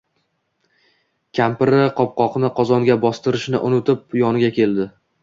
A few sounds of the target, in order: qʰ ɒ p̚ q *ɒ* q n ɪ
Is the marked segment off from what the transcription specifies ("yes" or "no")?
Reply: no